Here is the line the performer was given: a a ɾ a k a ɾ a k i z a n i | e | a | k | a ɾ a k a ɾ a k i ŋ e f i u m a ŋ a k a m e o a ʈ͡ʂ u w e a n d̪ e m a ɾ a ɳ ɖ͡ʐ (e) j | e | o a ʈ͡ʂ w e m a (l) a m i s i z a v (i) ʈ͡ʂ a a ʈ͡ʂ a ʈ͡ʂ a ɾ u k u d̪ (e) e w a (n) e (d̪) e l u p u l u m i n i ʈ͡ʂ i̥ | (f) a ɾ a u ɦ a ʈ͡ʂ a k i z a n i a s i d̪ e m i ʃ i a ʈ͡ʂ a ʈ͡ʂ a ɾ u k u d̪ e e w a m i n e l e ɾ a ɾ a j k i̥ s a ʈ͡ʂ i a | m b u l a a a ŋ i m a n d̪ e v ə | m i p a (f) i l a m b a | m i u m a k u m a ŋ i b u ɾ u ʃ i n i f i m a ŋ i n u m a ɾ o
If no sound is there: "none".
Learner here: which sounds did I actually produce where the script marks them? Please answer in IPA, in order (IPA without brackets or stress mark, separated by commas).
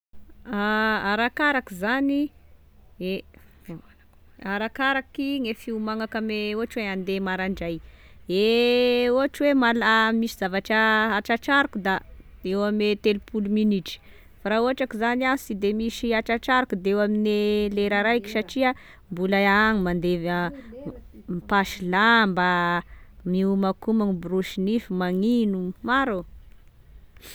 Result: a, l, a, a, m, t̪, f, ʃ